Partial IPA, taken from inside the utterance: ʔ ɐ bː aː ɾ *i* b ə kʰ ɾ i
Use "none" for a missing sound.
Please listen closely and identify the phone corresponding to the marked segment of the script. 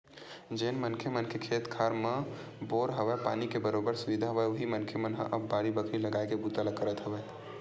i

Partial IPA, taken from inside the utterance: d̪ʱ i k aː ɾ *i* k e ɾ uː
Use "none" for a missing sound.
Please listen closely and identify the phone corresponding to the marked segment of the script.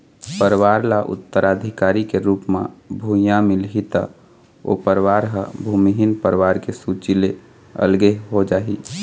i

